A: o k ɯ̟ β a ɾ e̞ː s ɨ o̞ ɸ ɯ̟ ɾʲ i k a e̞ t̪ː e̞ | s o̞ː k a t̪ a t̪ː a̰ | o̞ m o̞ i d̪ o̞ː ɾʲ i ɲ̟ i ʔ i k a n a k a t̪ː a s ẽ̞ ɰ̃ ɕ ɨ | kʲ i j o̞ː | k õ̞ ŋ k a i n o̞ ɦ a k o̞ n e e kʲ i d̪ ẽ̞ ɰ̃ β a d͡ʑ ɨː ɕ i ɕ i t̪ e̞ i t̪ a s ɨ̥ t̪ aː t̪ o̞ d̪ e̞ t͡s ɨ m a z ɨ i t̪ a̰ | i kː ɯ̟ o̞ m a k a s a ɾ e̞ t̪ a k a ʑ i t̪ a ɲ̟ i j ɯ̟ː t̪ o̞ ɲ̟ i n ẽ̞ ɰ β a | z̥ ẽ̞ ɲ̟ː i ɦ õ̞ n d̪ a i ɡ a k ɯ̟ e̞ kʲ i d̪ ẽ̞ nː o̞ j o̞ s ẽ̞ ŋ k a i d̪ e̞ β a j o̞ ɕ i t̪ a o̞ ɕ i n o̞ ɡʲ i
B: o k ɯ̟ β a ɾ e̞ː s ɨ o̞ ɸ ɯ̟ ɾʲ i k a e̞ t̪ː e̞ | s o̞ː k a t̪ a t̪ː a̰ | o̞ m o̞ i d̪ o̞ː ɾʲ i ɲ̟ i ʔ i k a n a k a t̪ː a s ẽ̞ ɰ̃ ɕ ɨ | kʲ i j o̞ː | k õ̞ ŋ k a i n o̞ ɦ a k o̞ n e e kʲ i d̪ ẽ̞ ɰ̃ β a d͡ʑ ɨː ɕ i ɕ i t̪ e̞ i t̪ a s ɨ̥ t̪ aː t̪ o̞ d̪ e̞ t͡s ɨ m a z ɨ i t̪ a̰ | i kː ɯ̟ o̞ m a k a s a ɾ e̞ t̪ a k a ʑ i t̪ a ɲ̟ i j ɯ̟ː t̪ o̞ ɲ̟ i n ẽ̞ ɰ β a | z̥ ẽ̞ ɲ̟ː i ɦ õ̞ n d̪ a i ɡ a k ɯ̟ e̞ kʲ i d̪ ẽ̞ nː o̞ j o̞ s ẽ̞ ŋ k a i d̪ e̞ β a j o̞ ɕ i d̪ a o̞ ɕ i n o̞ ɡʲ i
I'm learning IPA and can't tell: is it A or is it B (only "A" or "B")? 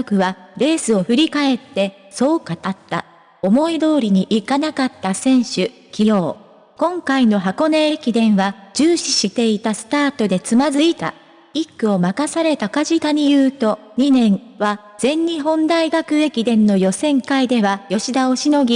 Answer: B